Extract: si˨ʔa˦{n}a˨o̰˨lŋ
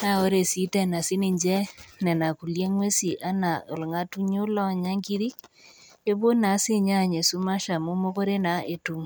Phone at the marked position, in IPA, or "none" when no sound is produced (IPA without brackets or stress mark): n